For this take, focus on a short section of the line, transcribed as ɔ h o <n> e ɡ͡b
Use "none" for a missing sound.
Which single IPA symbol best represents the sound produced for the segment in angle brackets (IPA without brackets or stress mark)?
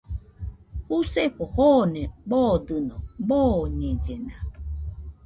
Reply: n